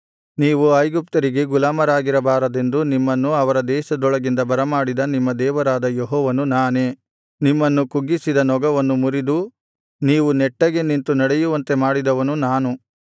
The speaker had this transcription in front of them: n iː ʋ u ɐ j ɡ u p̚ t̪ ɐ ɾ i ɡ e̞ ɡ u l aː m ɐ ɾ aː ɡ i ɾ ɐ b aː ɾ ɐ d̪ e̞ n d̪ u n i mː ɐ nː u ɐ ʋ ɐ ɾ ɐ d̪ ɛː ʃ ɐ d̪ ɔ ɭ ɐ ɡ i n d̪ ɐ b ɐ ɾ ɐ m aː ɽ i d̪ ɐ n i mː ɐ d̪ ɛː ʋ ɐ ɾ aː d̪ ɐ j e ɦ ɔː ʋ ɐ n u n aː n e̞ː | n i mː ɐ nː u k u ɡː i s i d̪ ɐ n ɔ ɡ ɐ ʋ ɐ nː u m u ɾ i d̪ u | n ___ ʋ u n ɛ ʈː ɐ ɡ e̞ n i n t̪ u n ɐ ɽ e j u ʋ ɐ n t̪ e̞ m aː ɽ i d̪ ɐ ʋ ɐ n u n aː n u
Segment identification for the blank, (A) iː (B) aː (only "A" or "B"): A